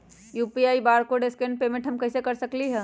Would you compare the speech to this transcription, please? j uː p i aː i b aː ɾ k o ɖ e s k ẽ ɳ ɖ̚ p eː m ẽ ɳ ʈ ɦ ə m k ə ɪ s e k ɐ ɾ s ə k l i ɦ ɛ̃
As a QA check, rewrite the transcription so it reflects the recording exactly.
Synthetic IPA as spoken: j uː p i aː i b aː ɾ k o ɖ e s k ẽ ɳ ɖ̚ p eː m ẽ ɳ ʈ ɦ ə m k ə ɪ s e k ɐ ɾ s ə k l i ɦ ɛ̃